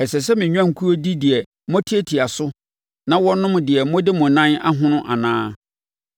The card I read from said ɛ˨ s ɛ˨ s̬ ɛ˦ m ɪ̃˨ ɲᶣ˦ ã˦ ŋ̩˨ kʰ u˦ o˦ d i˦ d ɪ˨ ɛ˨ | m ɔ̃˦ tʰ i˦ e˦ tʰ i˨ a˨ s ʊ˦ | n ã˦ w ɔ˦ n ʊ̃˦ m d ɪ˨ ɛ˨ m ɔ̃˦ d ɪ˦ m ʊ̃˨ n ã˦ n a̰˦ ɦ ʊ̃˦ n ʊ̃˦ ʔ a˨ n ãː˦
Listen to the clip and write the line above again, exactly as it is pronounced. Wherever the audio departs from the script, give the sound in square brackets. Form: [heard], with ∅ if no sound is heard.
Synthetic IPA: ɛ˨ s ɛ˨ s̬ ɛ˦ m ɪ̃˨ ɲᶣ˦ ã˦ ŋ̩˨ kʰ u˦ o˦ d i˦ d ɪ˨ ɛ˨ | m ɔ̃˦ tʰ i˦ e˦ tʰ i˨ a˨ s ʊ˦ | n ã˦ w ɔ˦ n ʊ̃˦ m d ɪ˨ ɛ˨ m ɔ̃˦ d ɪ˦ m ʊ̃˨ n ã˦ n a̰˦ ɦ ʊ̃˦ n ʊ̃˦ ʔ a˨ n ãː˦